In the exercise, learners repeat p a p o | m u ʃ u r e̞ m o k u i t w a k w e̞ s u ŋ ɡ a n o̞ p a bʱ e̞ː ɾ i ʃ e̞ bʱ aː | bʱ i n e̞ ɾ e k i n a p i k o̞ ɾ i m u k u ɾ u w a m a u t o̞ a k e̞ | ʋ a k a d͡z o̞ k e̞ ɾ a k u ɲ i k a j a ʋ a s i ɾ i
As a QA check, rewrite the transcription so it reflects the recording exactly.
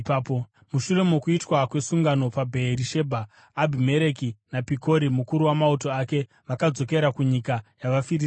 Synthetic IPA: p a p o | m u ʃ u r e̞ m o k u i t w a k w e̞ s u ŋ ɡ a n o̞ p a bʱ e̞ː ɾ i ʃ e̞ bʱ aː | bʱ i m e̞ ɾ e k i n a p i k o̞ ɾ i m u k u ɾ u w a m a u t o̞ a k e̞ | ʋ a k a d͡z o̞ k e̞ ɾ a k u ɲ i k a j a ʋ a f i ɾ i